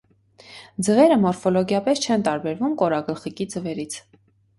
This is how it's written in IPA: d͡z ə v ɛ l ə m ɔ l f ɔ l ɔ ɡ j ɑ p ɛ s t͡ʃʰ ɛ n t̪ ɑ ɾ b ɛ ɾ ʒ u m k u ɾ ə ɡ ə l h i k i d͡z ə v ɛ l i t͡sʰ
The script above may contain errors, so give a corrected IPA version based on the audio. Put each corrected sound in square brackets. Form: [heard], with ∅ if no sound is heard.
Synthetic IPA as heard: d͡z ə v ɛ [ɾ] ə m ɔ [ɾ] f ɔ l ɔ ɡ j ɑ p ɛ s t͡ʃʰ ɛ n t̪ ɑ ɾ b ɛ ɾ [v] u m k [ɔ] ɾ [ɑ] ɡ ə l [χ] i k i d͡z ə v ɛ [ɾ] i t͡sʰ